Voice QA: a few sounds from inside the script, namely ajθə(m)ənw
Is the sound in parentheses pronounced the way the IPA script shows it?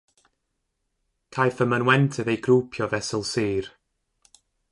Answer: yes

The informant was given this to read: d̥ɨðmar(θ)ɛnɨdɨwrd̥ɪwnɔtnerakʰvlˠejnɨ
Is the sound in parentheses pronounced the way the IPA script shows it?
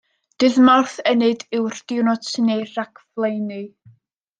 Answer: yes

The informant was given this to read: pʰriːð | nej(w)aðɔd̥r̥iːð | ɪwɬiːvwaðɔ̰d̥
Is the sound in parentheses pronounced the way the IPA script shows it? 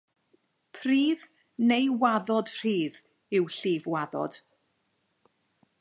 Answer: yes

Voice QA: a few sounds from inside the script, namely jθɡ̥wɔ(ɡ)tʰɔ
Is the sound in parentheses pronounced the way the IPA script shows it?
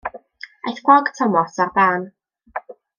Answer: yes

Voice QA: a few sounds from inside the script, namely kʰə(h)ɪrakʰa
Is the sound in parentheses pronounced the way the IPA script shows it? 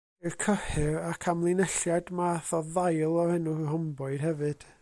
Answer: yes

